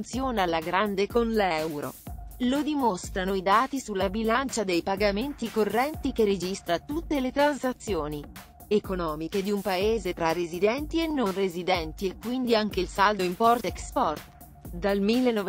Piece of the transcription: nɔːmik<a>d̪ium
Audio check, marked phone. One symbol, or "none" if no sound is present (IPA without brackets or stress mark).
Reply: e